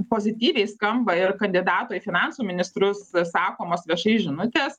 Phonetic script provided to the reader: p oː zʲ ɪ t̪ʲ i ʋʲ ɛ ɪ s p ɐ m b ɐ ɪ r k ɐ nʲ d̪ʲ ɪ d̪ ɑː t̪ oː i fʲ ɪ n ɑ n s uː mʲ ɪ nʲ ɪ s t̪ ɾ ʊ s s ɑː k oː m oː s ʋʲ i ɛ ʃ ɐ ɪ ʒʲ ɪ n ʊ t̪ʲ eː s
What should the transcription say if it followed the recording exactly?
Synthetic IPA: p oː zʲ ɪ t̪ʲ iː ʋʲ ɛ ɪ s k ɐ m b ɐ ɪ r k ɐ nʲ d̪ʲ ɪ d̪ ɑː t̪ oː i fʲ ɪ n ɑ n s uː mʲ ɪ nʲ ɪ s t̪ ɾ ʊ s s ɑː k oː m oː s ʋʲ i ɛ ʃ ɐ ɪ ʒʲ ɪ n ʊ t̪ʲ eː s